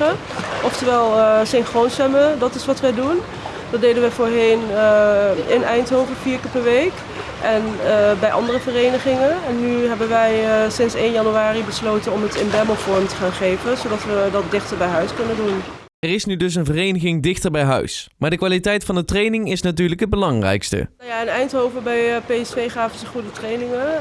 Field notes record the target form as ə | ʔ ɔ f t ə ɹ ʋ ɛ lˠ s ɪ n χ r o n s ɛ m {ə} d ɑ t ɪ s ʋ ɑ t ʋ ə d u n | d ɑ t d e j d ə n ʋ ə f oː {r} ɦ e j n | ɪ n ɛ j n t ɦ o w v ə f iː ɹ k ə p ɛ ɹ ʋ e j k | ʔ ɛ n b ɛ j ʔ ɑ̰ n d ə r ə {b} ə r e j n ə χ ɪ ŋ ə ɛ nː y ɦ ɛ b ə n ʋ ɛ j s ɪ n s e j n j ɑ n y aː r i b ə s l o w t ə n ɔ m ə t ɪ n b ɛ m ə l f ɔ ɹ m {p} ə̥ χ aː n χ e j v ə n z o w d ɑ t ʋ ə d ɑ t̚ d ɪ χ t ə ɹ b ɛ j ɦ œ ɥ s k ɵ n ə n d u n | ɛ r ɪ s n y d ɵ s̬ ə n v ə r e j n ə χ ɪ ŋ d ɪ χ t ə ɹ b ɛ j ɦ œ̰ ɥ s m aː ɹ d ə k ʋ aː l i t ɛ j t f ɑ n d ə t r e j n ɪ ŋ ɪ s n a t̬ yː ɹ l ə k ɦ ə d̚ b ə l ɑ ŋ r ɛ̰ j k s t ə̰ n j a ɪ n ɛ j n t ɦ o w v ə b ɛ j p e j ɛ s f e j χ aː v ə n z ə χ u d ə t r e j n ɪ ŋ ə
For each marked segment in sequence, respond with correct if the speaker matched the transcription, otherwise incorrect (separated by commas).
correct, incorrect, incorrect, incorrect